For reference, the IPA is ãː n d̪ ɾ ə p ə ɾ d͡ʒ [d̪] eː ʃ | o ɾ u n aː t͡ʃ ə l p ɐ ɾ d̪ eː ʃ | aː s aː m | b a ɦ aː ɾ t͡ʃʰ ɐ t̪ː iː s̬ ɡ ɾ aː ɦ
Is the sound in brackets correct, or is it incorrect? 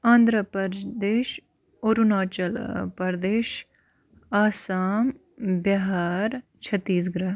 correct